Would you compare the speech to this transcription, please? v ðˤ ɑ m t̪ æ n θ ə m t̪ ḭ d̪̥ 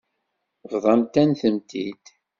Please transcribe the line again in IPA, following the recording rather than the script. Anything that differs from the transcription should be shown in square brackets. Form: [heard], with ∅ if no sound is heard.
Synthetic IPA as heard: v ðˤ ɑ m t̪ æ n θ ə m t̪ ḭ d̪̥